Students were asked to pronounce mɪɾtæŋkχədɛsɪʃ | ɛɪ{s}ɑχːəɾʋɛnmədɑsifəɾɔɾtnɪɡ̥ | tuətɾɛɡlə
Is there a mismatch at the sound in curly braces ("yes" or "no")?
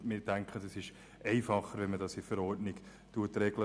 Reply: yes